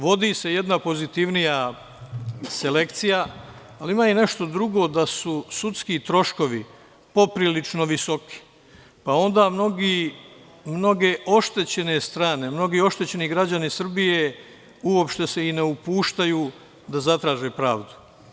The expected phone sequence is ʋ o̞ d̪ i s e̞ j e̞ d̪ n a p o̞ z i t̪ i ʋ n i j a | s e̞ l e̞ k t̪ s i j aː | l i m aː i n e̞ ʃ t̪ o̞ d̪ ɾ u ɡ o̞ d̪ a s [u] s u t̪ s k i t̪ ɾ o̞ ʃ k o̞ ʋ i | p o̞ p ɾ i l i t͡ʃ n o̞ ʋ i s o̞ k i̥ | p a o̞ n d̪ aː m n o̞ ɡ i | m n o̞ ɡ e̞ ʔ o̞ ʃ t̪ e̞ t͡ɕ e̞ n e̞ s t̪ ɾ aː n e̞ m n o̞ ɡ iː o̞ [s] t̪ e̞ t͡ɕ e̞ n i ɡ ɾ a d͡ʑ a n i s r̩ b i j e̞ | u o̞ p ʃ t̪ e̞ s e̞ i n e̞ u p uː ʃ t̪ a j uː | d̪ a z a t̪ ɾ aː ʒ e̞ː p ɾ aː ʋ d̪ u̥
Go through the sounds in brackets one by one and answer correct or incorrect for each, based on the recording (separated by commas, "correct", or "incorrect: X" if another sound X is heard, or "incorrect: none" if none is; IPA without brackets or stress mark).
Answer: correct, incorrect: ʃ